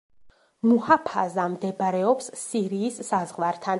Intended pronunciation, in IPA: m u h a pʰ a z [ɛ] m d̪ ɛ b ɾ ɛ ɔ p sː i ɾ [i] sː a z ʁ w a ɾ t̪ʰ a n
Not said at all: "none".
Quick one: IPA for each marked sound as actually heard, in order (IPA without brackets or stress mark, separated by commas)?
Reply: a, iː